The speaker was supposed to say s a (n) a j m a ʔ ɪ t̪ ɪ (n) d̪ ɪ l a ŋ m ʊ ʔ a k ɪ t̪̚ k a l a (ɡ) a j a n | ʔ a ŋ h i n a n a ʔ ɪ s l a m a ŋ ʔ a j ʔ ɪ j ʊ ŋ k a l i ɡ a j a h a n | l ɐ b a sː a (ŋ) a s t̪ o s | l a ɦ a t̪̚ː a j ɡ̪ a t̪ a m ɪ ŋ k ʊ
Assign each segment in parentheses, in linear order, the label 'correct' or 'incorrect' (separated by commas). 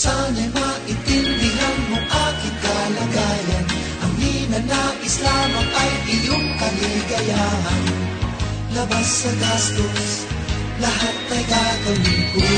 correct, correct, correct, incorrect